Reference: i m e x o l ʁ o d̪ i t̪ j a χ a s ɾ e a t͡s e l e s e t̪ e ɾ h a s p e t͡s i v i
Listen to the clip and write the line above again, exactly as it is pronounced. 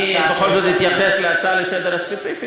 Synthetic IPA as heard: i b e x o l z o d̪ i t̪ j a χ e s l e a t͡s a l e s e d̪ e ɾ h a s p e t͡s i f i